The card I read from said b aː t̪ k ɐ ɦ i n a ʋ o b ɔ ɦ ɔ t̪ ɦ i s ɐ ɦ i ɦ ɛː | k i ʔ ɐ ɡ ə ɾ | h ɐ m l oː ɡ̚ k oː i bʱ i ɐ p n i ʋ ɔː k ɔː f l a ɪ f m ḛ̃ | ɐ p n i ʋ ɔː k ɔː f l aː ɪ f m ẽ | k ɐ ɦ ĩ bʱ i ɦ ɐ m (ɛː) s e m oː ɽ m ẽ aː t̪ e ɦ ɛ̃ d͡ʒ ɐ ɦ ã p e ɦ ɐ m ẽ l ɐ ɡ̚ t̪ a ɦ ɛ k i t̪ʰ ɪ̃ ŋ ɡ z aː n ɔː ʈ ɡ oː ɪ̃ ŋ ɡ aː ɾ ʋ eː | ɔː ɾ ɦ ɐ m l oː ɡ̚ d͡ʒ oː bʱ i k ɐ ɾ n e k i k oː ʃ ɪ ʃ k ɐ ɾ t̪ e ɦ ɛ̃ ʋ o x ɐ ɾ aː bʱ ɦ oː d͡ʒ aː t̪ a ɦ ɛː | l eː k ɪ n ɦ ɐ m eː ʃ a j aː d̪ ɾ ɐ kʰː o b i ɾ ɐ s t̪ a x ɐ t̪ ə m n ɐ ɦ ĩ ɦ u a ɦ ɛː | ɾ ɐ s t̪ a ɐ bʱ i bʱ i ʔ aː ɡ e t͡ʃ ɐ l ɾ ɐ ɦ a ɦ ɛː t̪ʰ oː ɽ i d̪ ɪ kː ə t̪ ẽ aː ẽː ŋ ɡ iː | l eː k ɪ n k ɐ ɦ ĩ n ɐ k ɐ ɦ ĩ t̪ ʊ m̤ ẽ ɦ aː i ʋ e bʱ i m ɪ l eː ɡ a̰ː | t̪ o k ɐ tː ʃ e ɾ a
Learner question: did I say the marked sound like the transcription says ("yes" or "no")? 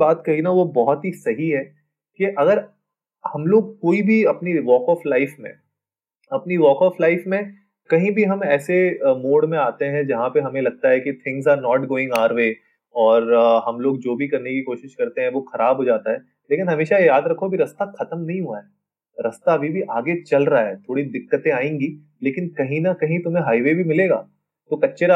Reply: yes